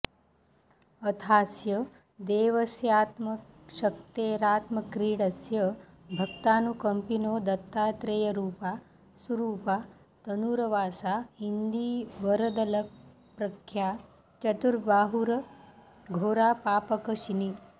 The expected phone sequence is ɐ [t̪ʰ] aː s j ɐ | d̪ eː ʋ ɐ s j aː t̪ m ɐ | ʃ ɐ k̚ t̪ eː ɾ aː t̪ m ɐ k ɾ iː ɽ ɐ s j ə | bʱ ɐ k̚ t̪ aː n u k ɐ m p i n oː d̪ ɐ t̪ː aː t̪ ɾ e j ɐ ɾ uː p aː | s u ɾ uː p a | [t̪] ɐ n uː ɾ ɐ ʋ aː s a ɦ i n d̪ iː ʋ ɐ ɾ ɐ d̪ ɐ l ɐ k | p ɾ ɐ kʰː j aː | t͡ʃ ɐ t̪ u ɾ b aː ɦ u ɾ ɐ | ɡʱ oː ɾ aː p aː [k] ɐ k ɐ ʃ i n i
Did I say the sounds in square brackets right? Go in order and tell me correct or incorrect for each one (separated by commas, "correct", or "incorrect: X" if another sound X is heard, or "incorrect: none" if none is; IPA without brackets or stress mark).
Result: correct, correct, incorrect: p